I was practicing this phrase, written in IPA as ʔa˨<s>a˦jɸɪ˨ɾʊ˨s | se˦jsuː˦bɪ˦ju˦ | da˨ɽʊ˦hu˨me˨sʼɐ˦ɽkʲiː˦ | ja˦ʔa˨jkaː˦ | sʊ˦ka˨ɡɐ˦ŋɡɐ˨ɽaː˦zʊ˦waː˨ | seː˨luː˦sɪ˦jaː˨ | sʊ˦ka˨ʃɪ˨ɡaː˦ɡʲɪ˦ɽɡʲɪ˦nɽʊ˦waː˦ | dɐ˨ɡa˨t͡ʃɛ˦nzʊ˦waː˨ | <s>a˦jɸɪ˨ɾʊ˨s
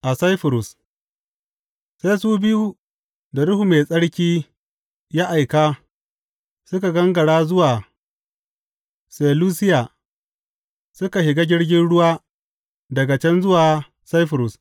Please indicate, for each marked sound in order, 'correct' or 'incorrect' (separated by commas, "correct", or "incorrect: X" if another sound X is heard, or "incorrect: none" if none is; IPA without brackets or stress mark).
correct, correct